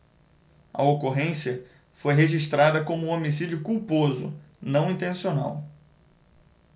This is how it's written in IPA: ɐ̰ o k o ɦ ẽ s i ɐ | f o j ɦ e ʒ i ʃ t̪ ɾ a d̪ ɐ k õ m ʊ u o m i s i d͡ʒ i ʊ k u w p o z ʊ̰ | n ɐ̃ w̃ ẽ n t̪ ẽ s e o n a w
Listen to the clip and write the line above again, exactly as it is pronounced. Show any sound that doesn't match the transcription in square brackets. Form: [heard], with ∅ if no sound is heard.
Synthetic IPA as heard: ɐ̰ o k o ɦ ẽ s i ɐ | f o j ɦ e ʒ i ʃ t̪ ɾ a d̪ ɐ k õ m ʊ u o m i s i d͡ʒ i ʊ k u w p o z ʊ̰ | n ɐ̃ w̃ [ĩ] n t̪ ẽ s [i] o n a w